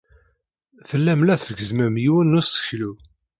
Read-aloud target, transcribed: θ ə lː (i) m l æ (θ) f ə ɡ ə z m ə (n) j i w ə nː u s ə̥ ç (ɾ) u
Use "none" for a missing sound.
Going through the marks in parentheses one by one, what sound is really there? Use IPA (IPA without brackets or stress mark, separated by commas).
æ, θ, m, l